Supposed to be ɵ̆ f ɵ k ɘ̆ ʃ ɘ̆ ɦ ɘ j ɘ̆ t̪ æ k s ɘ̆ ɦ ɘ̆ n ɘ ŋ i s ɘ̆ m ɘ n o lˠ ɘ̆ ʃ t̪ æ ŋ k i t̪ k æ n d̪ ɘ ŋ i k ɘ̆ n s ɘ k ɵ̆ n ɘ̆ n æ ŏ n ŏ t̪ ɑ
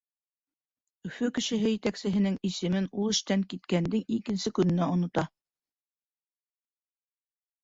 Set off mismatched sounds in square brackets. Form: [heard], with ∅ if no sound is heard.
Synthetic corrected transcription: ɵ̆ f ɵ k ɘ̆ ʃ ɘ̆ ɦ ɘ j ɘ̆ t̪ æ k s ɘ̆ ɦ ɘ̆ n ɘ ŋ i s ɘ̆ m ɘ n [u] lˠ ɘ̆ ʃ t̪ æ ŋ k i t̪ k æ n d̪ ɘ ŋ i k ɘ̆ n s ɘ k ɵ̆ n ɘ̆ n æ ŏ n ŏ t̪ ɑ